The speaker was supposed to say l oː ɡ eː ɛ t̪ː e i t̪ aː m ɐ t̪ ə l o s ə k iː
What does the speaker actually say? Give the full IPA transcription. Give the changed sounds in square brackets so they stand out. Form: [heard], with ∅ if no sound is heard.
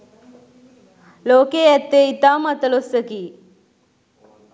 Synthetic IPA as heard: l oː [k] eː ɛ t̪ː e i t̪ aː m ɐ t̪ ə l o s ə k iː